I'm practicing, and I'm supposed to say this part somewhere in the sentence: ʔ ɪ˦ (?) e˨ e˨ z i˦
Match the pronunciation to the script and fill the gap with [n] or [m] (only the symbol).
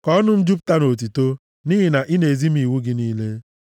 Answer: n